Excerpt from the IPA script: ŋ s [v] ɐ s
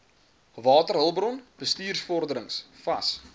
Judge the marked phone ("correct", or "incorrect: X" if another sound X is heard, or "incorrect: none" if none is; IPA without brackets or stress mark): incorrect: f